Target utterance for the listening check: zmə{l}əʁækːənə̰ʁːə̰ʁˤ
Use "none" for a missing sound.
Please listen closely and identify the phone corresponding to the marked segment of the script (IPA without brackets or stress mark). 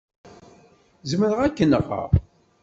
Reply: ɾ